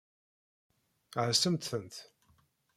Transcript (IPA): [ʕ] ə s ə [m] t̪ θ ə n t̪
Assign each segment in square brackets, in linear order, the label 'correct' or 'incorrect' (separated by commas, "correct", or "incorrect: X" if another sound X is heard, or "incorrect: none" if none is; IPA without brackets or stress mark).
correct, correct